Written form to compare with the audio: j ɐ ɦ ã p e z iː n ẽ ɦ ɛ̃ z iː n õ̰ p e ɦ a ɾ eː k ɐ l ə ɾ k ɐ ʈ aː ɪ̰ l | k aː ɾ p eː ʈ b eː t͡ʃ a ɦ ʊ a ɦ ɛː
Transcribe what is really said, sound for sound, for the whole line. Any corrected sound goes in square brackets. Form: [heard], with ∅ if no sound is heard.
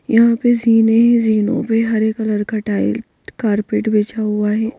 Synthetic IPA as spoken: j ɐ ɦ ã p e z iː n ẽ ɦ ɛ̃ z iː n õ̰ p e ɦ [ɐ] ɾ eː k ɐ l ə ɾ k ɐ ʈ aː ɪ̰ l | k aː ɾ p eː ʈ b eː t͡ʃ a ɦ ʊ a ɦ ɛː